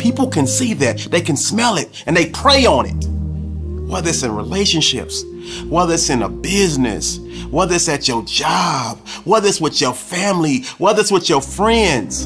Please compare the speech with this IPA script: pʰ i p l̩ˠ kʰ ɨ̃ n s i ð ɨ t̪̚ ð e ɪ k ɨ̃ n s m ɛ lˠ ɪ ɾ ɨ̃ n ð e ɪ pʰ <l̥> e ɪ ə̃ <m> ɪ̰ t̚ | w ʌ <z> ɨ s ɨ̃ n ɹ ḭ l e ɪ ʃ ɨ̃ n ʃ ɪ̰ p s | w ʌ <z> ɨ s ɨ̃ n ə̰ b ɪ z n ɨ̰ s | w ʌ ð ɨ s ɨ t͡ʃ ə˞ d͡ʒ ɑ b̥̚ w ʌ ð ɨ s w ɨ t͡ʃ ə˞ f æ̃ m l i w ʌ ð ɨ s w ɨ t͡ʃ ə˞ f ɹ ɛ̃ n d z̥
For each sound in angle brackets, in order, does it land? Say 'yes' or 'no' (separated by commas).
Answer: no, no, no, no